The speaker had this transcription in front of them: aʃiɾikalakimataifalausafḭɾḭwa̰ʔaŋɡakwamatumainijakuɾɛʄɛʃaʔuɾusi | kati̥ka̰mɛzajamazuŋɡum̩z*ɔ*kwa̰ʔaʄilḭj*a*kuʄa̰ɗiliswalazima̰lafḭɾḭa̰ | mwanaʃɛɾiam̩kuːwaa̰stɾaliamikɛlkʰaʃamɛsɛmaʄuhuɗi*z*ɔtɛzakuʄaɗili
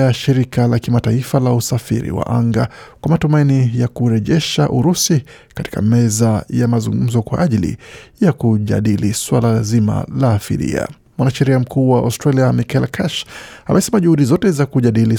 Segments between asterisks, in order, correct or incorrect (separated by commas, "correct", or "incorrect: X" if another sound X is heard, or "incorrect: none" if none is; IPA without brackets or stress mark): correct, correct, correct